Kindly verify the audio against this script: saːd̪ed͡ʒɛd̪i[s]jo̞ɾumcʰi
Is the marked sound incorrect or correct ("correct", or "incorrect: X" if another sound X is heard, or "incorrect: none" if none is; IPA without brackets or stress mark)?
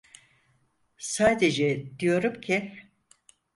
incorrect: none